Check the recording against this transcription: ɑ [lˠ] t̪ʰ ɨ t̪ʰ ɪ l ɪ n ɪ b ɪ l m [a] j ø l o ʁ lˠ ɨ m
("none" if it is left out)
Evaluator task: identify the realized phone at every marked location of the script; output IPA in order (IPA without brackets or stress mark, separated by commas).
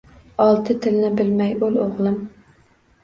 lˠ, ɛ